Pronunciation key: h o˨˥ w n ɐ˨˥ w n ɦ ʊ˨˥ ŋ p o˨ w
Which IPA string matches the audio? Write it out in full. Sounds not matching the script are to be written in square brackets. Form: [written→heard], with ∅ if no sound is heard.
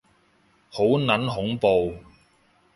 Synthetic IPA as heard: h o˨˥ w n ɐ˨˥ [w→∅] n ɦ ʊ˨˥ ŋ p o˨ w